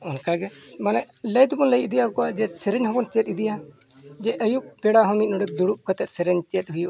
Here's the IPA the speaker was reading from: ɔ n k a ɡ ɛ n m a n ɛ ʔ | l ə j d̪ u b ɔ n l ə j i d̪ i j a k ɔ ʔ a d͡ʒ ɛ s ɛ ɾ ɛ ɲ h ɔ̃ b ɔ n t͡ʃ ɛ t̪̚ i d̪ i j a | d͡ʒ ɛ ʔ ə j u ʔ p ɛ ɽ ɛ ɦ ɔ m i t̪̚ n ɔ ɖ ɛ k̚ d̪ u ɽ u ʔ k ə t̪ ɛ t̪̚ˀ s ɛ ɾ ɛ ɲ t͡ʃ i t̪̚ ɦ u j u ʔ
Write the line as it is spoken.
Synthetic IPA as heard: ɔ n k a ɡ ɛ m a n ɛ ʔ | l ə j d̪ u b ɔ n l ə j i d̪ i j a k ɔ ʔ a d͡ʒ ɛ s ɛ ɾ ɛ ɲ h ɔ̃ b ɔ n t͡ʃ ɛ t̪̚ i d̪ i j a | d͡ʒ ɛ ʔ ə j u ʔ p ɛ ɽ a ɦ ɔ m i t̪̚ n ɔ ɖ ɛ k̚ d̪ u ɽ u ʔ k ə t̪ ɛ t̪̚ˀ s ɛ ɾ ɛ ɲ t͡ʃ ɛ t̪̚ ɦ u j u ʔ